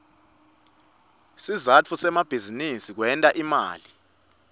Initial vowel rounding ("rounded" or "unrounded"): unrounded